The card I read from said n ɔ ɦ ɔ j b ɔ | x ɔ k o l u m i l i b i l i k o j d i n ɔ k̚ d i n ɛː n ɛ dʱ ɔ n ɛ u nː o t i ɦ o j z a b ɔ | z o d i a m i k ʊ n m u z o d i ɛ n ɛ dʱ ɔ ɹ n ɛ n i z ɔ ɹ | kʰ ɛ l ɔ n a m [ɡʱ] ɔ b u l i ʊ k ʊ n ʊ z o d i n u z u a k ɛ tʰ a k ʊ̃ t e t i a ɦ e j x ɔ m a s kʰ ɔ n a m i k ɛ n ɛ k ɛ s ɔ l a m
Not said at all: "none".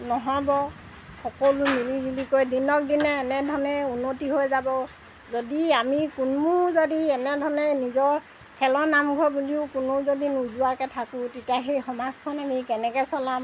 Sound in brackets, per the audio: ɡʱ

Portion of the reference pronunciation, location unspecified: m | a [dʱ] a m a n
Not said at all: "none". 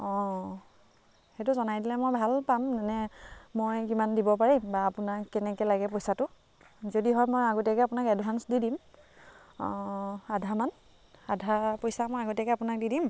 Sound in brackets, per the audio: dʱ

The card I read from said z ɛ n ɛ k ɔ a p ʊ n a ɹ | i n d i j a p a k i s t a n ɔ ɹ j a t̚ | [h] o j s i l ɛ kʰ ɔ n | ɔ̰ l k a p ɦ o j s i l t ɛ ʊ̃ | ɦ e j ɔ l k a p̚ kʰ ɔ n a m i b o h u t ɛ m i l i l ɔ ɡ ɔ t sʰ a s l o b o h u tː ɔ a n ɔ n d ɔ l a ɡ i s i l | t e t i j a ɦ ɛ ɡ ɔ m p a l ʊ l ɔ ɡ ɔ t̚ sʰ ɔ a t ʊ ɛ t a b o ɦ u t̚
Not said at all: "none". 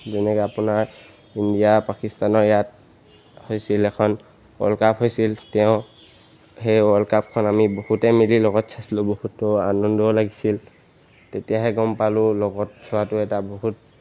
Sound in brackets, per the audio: h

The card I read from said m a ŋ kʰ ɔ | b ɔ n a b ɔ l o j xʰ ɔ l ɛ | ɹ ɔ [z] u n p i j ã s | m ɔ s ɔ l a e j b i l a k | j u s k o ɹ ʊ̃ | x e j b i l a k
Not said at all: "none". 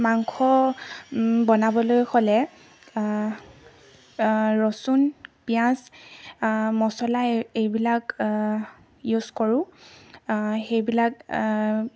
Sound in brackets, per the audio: s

